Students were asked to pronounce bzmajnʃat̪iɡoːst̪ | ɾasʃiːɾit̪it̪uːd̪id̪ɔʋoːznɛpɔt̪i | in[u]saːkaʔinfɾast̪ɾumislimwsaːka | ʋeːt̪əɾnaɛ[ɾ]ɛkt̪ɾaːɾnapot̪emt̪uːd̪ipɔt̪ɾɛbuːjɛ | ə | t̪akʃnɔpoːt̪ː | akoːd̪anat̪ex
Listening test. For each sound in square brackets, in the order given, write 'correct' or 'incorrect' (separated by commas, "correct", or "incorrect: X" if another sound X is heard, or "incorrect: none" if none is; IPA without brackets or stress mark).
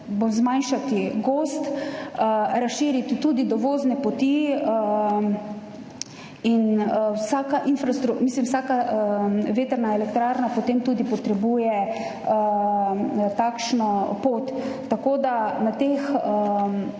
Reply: incorrect: w, incorrect: l